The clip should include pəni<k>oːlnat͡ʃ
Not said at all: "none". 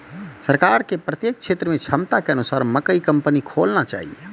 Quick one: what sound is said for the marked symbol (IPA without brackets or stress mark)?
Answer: kʰ